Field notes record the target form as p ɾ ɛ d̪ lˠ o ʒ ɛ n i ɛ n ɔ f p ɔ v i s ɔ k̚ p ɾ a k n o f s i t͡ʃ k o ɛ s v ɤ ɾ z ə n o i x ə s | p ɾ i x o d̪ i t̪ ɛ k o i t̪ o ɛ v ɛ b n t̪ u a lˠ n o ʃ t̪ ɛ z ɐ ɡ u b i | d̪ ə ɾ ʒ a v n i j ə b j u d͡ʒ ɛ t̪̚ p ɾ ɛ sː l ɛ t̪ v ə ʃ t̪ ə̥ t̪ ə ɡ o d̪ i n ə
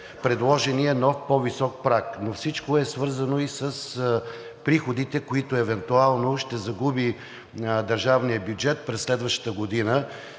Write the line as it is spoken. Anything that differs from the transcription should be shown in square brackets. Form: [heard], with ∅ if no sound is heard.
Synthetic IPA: p ɾ ɛ d̪ lˠ [ɔ] ʒ ɛ n i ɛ n ɔ f p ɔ v i s ɔ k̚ p ɾ a k n o f s i t͡ʃ k o ɛ s v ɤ ɾ z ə n o i [s] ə s | p ɾ i x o d̪ i t̪ ɛ k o i t̪ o ɛ v ɛ [∅] n t̪ u a lˠ n o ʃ t̪ ɛ z ɐ ɡ u b i | d̪ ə ɾ ʒ a v n i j ə b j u d͡ʒ ɛ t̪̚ p ɾ ɛ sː l ɛ [d̪] v ə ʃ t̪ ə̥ t̪ ə ɡ o d̪ i n ə